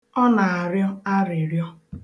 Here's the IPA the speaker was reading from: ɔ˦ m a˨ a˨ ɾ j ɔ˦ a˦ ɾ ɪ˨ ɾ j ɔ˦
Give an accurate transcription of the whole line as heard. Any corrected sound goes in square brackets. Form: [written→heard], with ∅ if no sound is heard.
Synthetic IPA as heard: ɔ˦ [m→n] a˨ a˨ ɾ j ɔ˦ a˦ ɾ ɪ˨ ɾ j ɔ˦